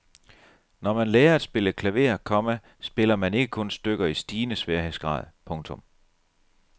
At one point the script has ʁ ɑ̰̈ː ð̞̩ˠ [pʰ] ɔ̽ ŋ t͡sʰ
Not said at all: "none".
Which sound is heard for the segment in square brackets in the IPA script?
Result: pʰ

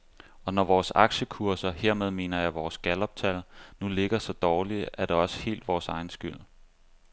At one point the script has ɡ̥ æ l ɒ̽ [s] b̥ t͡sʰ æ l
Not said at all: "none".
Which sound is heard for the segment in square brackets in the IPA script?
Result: none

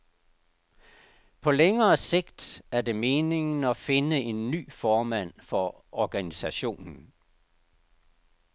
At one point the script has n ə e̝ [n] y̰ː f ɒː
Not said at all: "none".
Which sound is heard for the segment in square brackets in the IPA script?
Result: nː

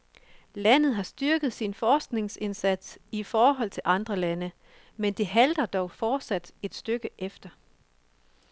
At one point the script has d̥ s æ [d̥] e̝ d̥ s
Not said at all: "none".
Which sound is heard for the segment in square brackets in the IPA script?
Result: d̥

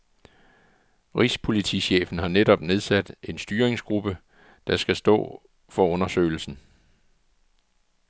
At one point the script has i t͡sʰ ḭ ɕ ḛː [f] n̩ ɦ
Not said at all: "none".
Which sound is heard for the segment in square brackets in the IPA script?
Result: f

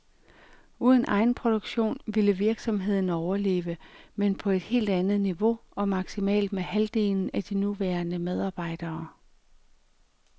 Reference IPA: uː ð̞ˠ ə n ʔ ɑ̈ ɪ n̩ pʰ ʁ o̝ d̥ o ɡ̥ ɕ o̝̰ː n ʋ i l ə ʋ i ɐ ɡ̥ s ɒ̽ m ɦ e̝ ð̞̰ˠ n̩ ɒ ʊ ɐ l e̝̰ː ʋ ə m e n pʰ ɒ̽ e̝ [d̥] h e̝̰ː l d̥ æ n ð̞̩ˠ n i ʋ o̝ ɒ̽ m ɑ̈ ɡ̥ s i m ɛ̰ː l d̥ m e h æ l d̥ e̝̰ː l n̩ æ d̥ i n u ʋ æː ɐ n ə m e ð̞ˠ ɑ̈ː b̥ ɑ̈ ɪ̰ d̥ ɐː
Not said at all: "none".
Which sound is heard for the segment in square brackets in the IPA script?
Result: d̥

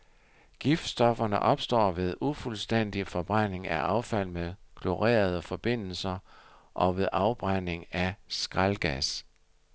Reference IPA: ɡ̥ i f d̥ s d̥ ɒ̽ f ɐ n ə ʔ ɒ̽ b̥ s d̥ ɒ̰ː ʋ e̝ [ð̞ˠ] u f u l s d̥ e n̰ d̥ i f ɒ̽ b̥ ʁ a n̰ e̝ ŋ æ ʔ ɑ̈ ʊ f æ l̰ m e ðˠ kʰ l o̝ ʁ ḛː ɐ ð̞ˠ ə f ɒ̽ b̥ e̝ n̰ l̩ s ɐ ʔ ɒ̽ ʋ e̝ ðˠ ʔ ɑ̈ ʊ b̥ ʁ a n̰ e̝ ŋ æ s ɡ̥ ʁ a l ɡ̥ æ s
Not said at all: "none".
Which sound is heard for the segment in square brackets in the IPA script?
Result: ð̞ˠ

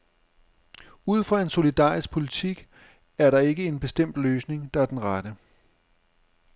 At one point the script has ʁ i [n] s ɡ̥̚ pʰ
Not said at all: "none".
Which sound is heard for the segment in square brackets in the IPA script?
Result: none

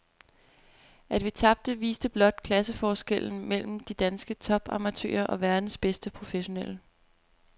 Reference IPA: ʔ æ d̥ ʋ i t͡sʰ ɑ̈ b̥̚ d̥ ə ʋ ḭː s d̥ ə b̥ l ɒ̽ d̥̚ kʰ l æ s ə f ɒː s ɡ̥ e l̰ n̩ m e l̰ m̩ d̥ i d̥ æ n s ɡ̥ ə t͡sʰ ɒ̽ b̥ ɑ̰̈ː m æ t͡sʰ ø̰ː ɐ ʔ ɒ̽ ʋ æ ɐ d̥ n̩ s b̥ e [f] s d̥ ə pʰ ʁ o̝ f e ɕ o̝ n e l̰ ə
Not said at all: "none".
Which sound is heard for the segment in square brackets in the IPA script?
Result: none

